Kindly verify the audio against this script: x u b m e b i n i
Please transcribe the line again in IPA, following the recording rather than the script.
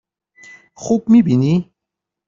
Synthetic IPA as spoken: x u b m i b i n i

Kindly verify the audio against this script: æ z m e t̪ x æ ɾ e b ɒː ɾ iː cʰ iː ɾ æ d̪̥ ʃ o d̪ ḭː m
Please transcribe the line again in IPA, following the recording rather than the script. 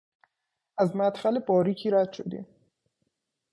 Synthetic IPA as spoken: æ z m æ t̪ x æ l e b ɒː ɾ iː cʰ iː ɾ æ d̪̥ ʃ o d̪ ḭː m

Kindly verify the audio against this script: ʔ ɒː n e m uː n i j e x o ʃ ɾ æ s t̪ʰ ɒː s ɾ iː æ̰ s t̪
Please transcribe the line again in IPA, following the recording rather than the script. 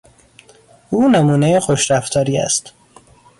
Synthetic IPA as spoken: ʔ uː n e m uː n e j e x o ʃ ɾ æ f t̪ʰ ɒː ɾ iː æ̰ s t̪

